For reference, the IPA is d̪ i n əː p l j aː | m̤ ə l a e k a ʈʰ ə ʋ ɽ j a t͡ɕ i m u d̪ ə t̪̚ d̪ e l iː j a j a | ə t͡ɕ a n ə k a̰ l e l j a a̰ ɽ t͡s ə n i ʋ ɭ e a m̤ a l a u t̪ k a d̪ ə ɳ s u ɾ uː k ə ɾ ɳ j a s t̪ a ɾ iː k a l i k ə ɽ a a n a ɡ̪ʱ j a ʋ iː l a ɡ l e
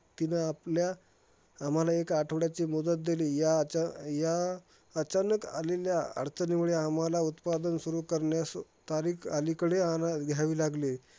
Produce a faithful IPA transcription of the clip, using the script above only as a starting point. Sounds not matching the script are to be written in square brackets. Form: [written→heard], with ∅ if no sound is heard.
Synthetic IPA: [d̪→t̪] i n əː p l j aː | m̤ [ə→a] l a e k a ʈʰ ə ʋ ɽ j a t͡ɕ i m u d̪ ə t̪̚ d̪ e l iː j a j a | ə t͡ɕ a n ə k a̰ l e l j a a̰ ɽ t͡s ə n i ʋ ɭ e a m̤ a l a u t̪ [k→p] a d̪ ə [ɳ→n] s u ɾ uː k ə ɾ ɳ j a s t̪ a ɾ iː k a l i k ə ɽ [a→e] a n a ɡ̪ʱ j a ʋ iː l a ɡ l e

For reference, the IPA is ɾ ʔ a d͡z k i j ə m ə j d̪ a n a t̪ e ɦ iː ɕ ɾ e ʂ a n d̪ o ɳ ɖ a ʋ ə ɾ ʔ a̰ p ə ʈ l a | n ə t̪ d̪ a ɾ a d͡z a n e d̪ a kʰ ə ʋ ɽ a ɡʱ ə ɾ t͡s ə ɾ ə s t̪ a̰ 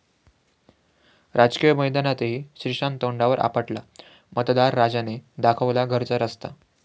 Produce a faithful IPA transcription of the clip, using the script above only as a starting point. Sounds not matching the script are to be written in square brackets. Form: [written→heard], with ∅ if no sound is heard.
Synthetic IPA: ɾ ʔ a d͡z k i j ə m ə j d̪ a n a t̪ e ɦ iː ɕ ɾ [e→i] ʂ a n [d̪→t̪] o ɳ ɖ a ʋ ə ɾ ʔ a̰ p ə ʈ l a | [n→m] ə t̪ d̪ a [ɾ→ɾː] a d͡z a n e d̪ a kʰ ə ʋ [ɽ→l] a ɡʱ ə ɾ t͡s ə ɾ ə s t̪ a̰

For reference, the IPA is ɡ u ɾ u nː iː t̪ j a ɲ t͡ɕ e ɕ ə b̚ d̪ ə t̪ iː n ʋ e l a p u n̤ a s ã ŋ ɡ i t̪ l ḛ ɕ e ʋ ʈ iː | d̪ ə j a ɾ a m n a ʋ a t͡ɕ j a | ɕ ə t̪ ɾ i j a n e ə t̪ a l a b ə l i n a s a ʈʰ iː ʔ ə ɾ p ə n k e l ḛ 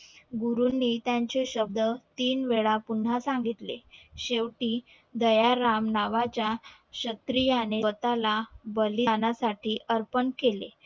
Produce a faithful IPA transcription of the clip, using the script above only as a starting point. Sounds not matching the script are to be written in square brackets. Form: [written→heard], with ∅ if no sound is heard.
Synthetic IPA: ɡ u ɾ u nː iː t̪ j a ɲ t͡ɕ e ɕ ə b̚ d̪ ə t̪ iː n ʋ e [l→ɭ] a p u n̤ a s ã ŋ ɡ i t̪ l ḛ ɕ e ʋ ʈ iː | d̪ ə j a ɾ a m n a ʋ a t͡ɕ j a | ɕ ə t̪ ɾ i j a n e ə t̪ a l a b ə l i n a s a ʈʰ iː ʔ ə ɾ p ə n k e l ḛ

